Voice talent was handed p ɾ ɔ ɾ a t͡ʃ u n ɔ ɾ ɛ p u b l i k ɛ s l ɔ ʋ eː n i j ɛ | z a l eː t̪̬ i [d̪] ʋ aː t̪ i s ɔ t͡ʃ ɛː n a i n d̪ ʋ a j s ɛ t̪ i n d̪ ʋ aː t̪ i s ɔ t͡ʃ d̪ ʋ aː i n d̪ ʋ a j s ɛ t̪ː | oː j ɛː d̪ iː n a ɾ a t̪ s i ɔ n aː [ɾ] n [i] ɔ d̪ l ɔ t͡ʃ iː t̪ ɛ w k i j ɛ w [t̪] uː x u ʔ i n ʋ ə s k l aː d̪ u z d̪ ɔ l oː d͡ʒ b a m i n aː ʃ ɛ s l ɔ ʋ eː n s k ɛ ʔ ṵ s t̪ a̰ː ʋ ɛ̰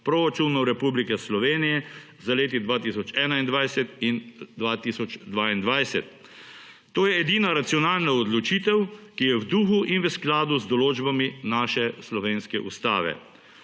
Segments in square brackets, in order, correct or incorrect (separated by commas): correct, incorrect, incorrect, incorrect